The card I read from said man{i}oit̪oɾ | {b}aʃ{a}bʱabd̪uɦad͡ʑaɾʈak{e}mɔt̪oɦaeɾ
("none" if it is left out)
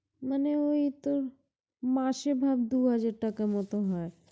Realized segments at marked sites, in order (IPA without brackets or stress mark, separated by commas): e, m, e, a